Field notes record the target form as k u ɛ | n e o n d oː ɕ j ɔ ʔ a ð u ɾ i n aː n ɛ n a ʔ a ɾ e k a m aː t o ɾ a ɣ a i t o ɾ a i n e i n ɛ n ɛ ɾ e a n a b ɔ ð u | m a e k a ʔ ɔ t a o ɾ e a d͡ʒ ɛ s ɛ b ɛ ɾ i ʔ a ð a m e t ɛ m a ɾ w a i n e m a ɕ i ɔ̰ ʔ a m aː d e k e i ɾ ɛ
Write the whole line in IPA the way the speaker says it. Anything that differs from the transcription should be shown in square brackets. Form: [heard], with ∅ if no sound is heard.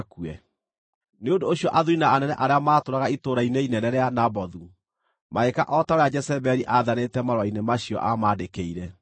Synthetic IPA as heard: k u ɛ | n e o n d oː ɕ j ɔ ʔ a ð u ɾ i n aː n ɛ n [ɛ] ʔ a ɾ e [∅] a m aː t o ɾ a ɣ a i t o ɾ a i n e i n ɛ n ɛ ɾ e a n a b ɔ ð u | m a e k a ʔ ɔ t a o ɾ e a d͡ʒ ɛ s ɛ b ɛ ɾ i ʔ a ð a [n] e t ɛ m a ɾ w a i n e m a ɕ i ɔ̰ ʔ a m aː d e k e i ɾ ɛ